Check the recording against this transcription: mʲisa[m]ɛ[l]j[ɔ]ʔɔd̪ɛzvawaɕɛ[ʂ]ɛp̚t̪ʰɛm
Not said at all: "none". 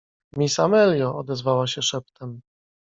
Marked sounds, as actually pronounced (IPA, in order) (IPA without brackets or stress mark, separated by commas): m, l, ɔ, ʂ